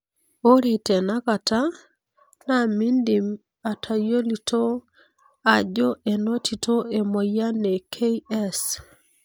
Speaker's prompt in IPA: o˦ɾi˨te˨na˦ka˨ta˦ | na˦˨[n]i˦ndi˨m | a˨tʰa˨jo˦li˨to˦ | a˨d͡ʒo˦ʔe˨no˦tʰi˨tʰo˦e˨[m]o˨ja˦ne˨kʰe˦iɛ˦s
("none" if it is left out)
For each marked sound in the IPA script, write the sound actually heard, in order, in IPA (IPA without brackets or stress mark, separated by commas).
m, m